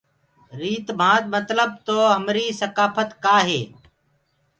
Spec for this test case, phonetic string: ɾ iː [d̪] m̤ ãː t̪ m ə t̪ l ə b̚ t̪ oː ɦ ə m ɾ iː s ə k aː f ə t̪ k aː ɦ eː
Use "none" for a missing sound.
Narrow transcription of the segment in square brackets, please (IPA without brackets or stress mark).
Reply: t̪